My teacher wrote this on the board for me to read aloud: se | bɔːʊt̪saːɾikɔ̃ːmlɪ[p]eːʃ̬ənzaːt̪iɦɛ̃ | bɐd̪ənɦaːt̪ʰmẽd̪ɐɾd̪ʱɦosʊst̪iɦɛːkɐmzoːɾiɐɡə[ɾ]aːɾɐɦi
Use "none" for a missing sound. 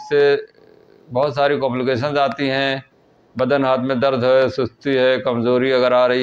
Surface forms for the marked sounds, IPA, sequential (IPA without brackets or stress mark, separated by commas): k, ɾ